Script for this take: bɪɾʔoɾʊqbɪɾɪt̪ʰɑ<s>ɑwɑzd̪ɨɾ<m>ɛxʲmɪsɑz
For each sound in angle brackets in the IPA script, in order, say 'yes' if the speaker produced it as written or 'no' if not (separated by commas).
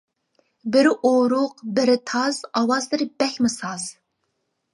no, no